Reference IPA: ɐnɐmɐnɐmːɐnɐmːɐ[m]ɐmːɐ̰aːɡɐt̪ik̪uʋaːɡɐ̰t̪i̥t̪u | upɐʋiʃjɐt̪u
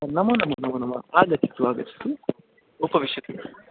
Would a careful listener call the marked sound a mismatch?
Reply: yes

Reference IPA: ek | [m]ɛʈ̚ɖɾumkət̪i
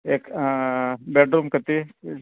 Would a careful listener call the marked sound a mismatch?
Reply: yes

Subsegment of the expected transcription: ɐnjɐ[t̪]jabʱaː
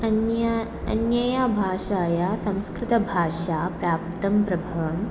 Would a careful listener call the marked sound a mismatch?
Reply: yes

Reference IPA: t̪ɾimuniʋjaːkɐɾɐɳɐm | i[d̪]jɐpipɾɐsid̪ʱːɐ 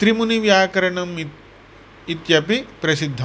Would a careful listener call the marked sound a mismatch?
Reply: yes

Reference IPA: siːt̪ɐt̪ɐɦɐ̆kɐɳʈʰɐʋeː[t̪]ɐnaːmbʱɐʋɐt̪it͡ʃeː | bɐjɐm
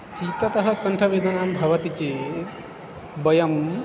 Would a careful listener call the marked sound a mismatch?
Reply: yes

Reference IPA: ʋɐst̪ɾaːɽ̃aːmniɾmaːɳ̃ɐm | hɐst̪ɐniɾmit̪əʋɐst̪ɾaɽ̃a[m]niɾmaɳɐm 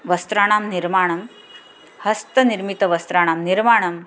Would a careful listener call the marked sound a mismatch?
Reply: no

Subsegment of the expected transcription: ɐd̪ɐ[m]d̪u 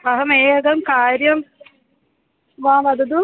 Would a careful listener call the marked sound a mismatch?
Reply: yes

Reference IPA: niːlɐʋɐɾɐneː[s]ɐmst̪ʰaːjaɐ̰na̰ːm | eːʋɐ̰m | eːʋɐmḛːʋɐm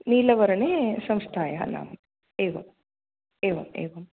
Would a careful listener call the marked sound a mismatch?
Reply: no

